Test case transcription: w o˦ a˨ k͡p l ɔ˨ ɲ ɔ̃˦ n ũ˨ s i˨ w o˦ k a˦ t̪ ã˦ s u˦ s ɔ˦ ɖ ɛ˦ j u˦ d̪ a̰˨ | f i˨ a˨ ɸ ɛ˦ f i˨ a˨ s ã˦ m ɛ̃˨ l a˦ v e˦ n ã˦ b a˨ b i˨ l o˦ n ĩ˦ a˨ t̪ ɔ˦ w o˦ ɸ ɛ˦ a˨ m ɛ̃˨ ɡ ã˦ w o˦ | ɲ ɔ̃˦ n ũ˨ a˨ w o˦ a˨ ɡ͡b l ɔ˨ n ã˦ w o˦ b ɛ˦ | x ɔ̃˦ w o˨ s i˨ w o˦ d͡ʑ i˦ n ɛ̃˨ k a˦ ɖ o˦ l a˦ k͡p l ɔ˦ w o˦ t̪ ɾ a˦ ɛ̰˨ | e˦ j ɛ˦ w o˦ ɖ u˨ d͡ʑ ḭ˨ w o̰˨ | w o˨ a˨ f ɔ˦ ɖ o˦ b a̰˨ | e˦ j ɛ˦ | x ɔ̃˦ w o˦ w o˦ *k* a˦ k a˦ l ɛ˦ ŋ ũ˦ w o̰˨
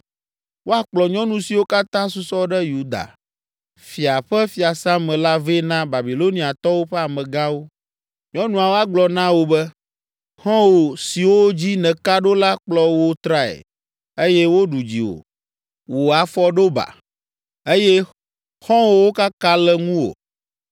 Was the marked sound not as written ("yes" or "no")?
no